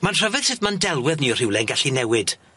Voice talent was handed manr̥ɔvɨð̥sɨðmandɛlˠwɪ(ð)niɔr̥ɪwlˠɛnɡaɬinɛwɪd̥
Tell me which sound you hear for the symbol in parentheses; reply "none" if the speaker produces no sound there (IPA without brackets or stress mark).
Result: ð